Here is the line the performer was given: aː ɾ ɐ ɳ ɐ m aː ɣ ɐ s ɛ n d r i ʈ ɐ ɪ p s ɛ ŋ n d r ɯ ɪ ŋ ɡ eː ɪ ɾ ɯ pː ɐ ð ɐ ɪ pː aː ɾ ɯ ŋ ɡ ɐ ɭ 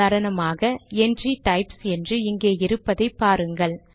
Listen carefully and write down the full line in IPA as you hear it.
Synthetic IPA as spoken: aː ɾ ɐ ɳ ɐ m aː ɣ ɐ ɛ n d r i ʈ ɐ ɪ p s ɛ n d r ɯ ɪ ŋ ɡ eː ɪ ɾ ɯ pː ɐ ð ɐ ɪ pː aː ɾ ɯ ŋ ɡ ɐ ɭ